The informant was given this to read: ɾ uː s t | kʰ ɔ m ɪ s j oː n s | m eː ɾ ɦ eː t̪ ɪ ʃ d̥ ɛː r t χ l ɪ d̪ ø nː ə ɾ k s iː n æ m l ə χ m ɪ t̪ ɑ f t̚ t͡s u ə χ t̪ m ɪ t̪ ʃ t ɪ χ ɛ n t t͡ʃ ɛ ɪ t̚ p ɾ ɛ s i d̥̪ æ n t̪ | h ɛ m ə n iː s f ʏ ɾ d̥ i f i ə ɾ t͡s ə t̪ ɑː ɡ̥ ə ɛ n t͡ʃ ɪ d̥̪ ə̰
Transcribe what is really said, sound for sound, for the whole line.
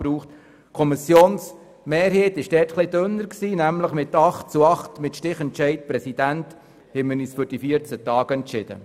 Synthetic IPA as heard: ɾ uː χ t | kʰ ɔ m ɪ s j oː n s | m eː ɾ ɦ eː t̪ ɪ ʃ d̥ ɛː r t χ l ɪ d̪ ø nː ə ɾ k s iː n æ m l ə χ m ɪ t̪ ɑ χ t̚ t͡s u ɑ χ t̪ m ɪ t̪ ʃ t ɪ χ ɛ n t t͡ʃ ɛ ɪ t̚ p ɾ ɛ s i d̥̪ æ n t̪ | h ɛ m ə n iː s f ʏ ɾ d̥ i f i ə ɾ t͡s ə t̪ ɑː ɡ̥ ə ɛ n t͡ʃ ɪ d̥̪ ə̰